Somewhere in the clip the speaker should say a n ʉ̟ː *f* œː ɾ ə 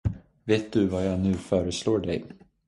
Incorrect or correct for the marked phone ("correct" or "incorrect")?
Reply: correct